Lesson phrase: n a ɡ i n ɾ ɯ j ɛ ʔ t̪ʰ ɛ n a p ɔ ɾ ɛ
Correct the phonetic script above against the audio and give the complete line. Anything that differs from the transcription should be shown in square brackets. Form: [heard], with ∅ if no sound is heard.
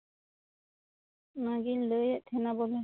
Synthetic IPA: n a ɡ i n [l] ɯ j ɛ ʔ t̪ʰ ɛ n a [b] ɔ [l] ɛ